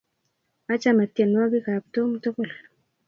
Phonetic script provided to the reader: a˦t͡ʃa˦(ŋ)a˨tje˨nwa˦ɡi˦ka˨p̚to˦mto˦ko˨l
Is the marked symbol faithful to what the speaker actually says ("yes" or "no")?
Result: no